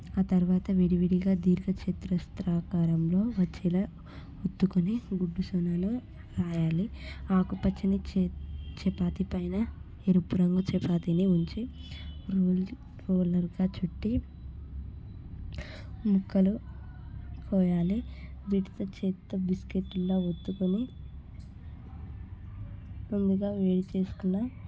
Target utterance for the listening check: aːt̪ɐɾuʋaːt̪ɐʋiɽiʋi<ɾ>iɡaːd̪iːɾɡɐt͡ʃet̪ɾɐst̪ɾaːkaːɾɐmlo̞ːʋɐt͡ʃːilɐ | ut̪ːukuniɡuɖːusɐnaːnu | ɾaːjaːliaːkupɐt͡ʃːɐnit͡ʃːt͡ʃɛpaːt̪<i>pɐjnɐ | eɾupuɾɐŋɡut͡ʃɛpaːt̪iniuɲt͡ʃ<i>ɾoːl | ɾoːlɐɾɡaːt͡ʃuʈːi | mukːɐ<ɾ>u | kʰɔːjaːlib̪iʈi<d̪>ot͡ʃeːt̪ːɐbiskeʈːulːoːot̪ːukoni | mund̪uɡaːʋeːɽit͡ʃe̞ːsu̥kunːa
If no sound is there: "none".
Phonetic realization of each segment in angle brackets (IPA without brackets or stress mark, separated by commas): ɽ, i, i, l, t̪